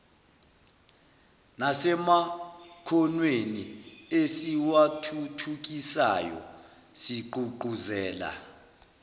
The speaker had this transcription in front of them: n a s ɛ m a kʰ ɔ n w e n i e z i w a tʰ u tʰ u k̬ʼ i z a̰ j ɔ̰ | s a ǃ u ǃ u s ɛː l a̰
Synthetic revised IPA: n a s ɛ m a kʰ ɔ n w e n i e s i w a tʰ u tʰ u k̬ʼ i s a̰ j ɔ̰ | s i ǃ u ǃ u z ɛː l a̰